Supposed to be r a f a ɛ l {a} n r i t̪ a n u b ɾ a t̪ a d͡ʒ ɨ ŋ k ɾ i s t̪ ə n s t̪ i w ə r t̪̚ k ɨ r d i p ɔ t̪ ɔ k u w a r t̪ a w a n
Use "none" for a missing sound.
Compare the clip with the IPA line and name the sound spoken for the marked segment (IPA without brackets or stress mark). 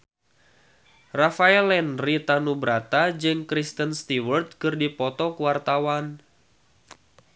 ɛ